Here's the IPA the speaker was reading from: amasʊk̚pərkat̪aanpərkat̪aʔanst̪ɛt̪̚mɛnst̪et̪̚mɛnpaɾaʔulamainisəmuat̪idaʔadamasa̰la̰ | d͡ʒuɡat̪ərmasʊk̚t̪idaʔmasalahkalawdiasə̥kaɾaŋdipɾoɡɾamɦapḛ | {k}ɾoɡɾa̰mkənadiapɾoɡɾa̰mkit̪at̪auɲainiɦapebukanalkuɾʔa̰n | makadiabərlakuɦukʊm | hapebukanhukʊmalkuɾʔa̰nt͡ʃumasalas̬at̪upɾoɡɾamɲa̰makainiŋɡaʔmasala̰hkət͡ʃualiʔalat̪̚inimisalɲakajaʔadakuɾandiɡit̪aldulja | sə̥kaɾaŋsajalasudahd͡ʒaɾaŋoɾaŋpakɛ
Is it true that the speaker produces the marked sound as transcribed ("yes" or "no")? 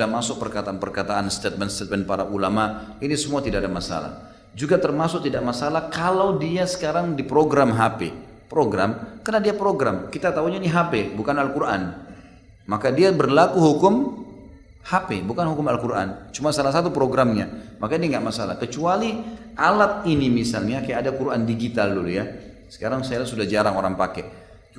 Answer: no